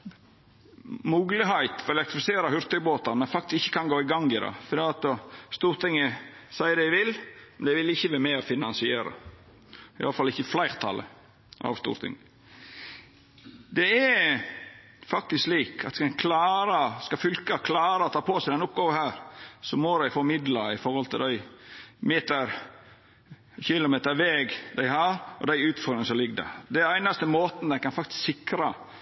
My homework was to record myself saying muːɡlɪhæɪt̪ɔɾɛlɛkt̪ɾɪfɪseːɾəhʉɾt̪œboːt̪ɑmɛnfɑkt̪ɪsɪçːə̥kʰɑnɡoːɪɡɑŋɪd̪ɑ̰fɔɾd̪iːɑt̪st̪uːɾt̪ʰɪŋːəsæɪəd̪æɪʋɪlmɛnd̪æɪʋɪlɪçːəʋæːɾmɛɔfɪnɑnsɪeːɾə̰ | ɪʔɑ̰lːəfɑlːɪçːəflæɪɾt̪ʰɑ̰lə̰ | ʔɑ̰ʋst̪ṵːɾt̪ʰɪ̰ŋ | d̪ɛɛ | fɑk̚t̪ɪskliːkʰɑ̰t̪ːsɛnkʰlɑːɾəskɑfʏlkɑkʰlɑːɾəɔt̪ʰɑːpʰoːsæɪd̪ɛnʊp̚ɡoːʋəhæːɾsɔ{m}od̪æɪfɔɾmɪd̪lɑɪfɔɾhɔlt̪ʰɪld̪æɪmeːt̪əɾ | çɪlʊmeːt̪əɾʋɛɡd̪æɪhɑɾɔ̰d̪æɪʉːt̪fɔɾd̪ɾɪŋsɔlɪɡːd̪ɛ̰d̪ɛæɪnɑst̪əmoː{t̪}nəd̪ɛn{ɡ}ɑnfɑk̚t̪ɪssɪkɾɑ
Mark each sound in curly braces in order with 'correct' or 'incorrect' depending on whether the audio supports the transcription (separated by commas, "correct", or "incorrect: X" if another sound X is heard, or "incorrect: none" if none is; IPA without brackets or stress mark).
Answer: correct, correct, incorrect: k